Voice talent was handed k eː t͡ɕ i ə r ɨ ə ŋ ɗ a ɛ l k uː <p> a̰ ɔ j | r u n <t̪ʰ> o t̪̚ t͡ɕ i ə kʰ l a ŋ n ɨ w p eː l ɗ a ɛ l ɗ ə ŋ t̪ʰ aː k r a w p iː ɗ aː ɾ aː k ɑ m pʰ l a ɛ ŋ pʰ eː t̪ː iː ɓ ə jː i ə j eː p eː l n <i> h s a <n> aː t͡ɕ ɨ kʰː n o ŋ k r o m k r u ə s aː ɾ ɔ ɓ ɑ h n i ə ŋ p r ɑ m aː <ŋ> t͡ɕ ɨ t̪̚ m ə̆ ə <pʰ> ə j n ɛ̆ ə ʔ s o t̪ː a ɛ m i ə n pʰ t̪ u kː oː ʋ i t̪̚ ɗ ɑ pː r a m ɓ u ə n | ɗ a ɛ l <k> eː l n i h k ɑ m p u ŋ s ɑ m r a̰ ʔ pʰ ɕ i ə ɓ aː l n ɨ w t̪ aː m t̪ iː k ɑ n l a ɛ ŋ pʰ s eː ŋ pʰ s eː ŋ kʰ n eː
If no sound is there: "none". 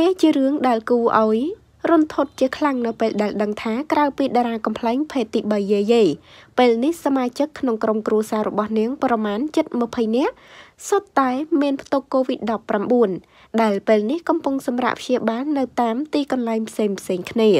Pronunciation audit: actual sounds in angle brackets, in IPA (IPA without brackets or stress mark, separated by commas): ʔ, t̪ʰ, i, m, n, pʰ, p